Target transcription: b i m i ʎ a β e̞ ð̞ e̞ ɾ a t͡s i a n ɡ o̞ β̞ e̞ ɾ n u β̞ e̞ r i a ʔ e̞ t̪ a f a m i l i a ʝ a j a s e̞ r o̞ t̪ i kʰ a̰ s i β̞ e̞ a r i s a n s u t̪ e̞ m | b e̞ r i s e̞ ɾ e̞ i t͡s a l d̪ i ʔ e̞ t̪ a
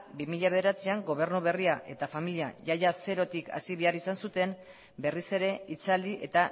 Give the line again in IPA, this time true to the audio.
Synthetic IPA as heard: b i m i ʎ a β e̞ ð̞ e̞ ɾ a t͡s i a ŋ ɡ o̞ β̞ e̞ ɾ n u β̞ e̞ r i a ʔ e̞ t̪ a f a m i l i a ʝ a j a s e̞ ɾ o̞ t̪ i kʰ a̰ s i β̞ e̞ a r i s a n s u t̪ e̞ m | b e̞ r i s e̞ ɾ e̞ i t͡s a l d̪ i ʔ e̞ t̪ a